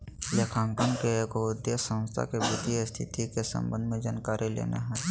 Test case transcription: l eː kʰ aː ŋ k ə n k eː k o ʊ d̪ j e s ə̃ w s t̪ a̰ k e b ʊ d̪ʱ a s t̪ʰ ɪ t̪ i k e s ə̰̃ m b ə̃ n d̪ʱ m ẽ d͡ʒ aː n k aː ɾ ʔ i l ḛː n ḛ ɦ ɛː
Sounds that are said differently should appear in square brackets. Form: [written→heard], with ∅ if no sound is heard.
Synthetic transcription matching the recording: l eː kʰ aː ŋ k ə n k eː k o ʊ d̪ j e s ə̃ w s [t̪→t̪ʰ] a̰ k e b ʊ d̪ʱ [a→i] s t̪ʰ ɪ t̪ i k e s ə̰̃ m b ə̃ n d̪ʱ m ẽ d͡ʒ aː n k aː ɾ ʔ i l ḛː n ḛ ɦ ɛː